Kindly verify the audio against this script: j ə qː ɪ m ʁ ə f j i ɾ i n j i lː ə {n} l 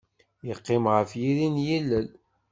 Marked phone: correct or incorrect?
incorrect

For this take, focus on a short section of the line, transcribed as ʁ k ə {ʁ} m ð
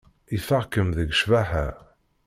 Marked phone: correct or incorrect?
incorrect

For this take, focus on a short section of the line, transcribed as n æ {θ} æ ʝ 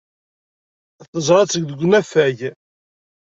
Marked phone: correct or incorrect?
incorrect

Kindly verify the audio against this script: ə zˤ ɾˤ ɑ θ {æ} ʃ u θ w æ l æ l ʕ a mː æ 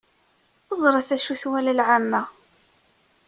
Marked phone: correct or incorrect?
correct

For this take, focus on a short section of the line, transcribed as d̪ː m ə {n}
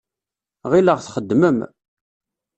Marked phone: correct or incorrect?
incorrect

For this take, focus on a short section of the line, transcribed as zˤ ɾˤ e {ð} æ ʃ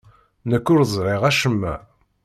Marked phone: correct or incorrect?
incorrect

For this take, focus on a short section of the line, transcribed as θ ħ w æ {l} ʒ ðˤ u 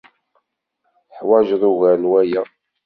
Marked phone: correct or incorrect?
incorrect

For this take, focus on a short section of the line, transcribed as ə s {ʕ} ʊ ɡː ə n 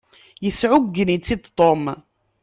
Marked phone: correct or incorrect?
correct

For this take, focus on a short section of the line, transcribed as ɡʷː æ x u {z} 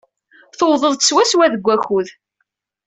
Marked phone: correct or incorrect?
incorrect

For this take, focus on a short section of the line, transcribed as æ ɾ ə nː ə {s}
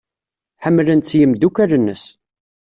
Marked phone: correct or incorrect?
correct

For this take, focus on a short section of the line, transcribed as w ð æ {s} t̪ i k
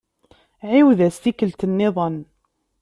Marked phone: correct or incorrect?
correct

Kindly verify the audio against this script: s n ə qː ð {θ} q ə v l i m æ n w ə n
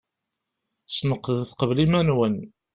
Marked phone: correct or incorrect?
correct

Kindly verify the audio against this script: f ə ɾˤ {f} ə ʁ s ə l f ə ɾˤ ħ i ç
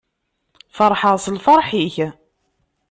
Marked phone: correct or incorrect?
incorrect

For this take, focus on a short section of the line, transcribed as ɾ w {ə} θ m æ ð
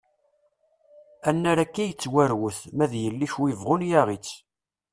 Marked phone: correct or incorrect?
correct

